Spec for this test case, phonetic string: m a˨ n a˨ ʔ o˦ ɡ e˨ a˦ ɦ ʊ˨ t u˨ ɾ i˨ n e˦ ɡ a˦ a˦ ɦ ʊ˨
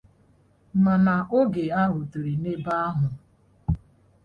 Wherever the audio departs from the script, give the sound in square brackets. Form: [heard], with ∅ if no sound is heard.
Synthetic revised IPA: m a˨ n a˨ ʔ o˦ ɡ e˨ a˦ ɦ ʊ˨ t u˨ ɾ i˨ n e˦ [b] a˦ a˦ ɦ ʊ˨